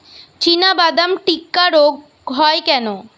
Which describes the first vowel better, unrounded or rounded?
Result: unrounded